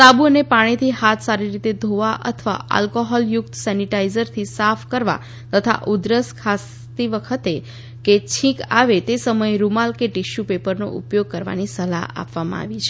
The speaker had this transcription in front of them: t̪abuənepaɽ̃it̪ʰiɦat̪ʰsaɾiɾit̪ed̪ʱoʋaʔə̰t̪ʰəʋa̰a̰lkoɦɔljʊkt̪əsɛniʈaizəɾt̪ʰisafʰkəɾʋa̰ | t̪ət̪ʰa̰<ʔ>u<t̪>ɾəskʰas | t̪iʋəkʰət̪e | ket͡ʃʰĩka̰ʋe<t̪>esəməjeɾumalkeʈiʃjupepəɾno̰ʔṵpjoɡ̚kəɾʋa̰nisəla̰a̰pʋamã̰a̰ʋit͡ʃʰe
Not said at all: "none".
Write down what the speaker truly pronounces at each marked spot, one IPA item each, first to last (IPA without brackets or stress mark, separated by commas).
ʔ, d̪, t̪